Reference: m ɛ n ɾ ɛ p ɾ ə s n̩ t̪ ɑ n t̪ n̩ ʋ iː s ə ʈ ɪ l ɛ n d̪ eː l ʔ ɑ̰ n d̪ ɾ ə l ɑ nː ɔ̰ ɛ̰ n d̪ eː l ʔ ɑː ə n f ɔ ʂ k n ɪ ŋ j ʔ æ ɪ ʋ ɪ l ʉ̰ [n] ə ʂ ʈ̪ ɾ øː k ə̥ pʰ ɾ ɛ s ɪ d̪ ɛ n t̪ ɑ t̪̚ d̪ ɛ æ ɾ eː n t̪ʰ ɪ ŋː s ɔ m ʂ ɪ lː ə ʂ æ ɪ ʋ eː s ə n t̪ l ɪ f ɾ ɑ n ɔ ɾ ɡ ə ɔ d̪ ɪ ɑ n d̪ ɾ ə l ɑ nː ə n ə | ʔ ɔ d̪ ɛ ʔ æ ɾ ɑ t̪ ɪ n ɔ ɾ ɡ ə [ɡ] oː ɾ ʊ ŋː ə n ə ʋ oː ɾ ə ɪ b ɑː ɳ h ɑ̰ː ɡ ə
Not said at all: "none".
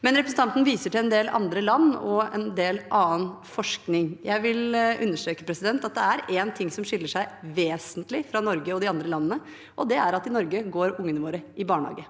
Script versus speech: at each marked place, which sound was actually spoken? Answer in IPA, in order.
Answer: nː, ɡ

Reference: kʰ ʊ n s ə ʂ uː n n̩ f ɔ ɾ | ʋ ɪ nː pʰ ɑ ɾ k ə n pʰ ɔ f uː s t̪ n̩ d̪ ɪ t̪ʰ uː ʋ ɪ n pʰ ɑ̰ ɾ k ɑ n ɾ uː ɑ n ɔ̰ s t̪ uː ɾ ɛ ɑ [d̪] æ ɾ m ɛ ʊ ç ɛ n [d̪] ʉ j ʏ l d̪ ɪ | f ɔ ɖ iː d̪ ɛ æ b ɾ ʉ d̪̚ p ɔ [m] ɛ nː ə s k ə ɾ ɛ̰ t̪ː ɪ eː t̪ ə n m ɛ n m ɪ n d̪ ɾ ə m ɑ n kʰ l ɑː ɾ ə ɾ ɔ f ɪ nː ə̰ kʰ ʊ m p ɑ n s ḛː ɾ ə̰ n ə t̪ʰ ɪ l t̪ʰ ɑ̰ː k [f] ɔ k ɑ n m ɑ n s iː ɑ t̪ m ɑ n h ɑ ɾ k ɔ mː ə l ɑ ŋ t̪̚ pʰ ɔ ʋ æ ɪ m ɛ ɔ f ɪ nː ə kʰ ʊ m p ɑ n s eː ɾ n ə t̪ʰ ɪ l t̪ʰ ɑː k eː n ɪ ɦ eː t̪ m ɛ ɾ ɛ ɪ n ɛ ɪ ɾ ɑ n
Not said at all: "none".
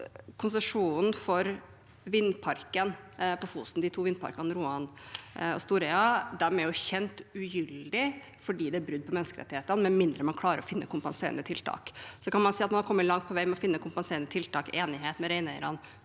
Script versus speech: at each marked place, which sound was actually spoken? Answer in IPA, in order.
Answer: d̪, t̪, m, s

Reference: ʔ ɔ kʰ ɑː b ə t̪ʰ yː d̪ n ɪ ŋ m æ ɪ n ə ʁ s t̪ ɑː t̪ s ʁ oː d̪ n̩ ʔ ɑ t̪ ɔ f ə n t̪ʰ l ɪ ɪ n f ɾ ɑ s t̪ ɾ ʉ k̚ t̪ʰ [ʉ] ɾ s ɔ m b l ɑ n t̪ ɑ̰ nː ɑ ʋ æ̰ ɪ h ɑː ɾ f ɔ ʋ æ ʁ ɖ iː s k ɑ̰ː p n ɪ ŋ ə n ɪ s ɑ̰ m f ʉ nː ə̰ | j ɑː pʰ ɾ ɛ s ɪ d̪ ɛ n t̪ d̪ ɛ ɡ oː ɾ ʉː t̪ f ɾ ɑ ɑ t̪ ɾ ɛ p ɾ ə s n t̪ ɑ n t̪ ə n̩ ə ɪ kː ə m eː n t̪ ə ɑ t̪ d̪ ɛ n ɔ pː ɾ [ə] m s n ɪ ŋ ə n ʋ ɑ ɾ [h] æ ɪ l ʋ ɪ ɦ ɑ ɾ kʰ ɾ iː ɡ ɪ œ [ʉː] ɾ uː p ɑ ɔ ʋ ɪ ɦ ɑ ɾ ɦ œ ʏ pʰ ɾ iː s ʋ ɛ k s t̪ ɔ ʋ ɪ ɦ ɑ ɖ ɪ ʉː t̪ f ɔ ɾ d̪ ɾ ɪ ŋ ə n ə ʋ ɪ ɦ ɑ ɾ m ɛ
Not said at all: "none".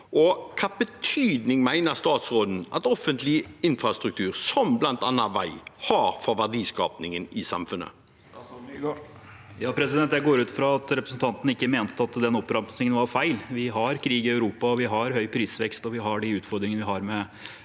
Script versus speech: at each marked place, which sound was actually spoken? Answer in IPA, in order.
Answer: ʉː, ɑ, f, ʉ

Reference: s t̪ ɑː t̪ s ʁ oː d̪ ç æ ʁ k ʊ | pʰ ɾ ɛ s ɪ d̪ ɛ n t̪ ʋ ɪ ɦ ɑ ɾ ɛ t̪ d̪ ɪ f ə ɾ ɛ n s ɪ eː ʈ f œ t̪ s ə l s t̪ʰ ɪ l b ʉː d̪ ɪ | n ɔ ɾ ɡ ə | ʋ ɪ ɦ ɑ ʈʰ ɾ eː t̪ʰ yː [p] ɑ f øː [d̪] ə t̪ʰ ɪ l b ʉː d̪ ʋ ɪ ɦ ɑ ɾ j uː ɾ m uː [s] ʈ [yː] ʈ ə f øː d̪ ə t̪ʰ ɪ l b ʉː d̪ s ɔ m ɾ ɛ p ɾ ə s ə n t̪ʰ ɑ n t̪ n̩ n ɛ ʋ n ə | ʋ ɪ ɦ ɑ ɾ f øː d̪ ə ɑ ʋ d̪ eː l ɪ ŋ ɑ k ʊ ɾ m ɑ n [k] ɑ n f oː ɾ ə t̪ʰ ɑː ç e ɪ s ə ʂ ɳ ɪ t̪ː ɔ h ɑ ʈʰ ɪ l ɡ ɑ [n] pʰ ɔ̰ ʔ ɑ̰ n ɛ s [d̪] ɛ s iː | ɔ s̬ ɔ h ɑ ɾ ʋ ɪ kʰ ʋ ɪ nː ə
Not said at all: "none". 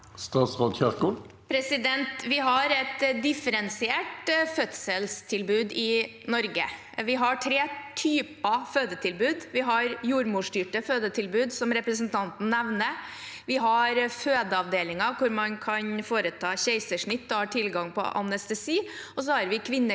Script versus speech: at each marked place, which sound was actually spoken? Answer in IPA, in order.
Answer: p, d̪, ʂ, yː, kʰ, ŋ, t̪

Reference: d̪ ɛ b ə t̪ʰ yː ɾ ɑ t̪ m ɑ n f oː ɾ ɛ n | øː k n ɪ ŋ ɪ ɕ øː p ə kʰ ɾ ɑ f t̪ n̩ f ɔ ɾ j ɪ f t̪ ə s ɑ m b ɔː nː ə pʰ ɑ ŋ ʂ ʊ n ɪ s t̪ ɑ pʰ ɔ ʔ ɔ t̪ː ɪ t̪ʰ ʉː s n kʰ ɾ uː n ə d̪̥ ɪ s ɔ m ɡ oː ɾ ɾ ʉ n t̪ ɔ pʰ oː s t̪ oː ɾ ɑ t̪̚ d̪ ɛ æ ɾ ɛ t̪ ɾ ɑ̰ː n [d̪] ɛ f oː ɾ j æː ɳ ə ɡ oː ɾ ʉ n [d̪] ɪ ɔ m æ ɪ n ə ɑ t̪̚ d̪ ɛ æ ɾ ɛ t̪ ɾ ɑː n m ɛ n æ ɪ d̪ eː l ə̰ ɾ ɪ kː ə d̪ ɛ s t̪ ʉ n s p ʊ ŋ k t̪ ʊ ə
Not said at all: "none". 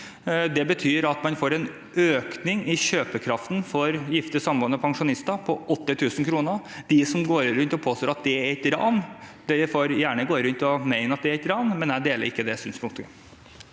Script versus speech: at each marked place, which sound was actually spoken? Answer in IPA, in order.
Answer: d̪, t̪

